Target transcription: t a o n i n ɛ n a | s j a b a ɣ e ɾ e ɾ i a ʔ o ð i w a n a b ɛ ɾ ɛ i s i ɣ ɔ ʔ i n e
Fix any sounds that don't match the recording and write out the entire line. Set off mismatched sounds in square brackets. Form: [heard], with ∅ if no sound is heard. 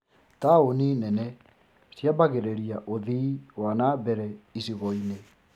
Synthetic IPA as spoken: t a o n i n ɛ n [ɛ] | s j a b a ɣ e ɾ e ɾ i a ʔ o ð i w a n a b ɛ ɾ ɛ i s i ɣ ɔ [∅] i n e